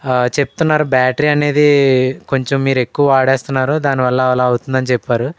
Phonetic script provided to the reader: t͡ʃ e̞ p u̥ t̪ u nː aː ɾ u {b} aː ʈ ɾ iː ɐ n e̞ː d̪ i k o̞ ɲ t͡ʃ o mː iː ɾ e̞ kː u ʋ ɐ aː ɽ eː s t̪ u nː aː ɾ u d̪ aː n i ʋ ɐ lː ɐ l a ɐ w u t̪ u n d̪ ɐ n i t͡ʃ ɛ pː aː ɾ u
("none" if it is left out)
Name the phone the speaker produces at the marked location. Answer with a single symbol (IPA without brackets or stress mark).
b